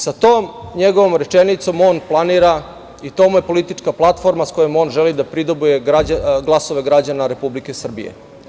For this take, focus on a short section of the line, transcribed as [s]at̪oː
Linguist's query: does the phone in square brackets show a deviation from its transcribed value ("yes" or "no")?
no